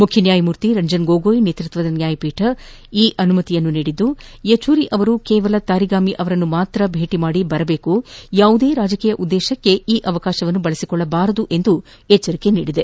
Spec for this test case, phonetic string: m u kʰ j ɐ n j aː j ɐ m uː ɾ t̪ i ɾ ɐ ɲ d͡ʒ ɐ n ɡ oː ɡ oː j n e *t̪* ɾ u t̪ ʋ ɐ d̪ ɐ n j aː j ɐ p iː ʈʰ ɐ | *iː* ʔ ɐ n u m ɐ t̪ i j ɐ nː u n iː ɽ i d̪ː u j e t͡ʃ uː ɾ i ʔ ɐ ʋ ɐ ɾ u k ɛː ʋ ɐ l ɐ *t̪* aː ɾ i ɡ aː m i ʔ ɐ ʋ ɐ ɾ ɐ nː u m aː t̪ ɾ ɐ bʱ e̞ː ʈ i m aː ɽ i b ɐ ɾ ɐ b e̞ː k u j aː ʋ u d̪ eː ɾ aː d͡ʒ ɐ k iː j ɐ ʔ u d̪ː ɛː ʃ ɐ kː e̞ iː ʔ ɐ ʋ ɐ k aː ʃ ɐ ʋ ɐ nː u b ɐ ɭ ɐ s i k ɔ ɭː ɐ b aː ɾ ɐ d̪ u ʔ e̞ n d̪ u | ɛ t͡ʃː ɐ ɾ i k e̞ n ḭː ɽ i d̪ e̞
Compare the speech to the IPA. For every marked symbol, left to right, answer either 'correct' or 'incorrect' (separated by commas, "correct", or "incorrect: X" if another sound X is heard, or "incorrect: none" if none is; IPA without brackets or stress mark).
correct, correct, correct